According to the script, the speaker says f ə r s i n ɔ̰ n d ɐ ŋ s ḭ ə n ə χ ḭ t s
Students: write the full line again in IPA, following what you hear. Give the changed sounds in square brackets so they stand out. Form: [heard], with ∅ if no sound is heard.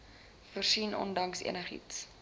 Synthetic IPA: f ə r s i n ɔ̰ n d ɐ ŋ s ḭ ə n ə χ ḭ t s